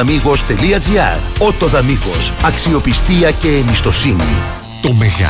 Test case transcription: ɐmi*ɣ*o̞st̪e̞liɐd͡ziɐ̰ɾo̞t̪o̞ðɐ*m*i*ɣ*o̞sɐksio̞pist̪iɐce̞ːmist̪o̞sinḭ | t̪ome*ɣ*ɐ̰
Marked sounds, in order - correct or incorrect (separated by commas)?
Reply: correct, correct, correct, correct